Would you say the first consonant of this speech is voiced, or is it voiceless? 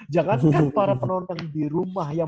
voiced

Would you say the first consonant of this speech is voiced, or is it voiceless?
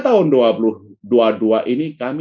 voiceless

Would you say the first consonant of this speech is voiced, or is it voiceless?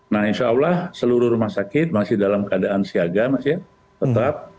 voiced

